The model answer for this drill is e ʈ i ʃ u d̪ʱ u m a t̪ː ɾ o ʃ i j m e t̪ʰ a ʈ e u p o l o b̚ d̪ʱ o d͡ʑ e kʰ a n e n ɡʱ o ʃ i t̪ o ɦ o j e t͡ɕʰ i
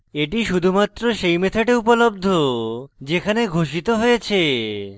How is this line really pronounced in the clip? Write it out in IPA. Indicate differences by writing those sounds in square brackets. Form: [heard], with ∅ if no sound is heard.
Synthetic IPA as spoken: e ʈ i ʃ u d̪ʱ u m a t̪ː ɾ o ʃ [e] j m e t̪ʰ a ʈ e u p o l o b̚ d̪ʱ o d͡ʑ e kʰ a n e [∅] ɡʱ o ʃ i t̪ o ɦ o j e t͡ɕʰ [e]